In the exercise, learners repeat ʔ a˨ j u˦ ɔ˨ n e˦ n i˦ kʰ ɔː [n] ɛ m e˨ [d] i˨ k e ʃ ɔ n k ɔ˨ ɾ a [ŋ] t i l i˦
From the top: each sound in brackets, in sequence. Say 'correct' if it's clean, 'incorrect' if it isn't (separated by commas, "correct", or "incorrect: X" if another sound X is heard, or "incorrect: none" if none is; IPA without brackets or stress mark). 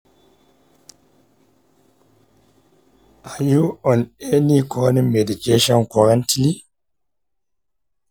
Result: correct, correct, incorrect: n